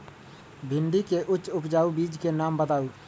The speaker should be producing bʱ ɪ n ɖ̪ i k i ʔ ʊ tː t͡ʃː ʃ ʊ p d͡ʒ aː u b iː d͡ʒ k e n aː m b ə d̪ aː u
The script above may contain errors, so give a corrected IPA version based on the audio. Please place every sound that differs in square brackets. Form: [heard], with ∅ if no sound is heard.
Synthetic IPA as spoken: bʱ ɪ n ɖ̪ i k [e] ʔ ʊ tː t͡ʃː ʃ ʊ p d͡ʒ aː u b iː d͡ʒ k e n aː m b ə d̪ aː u